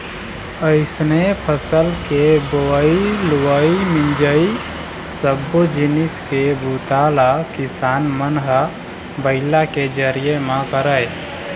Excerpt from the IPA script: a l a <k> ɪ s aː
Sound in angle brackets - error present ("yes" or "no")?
no